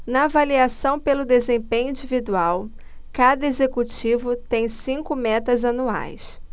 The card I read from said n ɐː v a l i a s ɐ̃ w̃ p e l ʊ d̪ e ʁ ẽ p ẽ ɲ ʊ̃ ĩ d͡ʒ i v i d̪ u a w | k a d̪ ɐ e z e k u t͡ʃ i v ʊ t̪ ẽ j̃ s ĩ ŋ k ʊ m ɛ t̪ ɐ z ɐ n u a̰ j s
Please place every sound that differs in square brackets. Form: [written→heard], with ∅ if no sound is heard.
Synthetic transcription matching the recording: n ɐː v a l i a s ɐ̃ w̃ p e l ʊ d̪ e [ʁ→z] ẽ p ẽ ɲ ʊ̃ ĩ d͡ʒ i v i d̪ u a w | k a d̪ ɐ e z e k u t͡ʃ i v ʊ t̪ ẽ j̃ s ĩ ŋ k ʊ m ɛ t̪ ɐ z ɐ n u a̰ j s